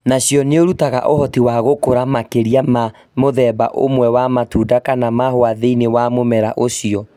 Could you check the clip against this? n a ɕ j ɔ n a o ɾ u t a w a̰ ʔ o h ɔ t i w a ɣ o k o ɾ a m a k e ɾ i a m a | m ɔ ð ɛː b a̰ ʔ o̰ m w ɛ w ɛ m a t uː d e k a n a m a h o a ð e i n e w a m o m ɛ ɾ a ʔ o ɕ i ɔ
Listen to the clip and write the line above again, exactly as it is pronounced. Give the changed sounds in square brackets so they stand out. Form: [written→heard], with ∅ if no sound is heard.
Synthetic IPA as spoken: n a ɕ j ɔ n [a→e] o ɾ u t a [w→ɣ] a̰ ʔ o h ɔ t i w a ɣ o k o ɾ a m a k e ɾ i a m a | m [ɔ→o] ð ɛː b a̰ ʔ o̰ m w ɛ w [ɛ→a] m a t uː d [e→a] k a n a m a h o a ð e i n e w a m o m ɛ ɾ a ʔ o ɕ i ɔ